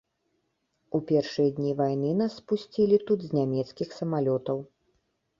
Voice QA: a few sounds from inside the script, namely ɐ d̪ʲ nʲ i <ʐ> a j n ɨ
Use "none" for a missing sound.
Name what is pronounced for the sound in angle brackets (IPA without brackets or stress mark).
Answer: v